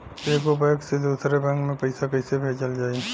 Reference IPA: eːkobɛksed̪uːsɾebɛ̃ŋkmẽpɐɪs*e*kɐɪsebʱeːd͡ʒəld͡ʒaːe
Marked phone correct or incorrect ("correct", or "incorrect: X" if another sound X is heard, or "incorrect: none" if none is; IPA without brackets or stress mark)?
incorrect: a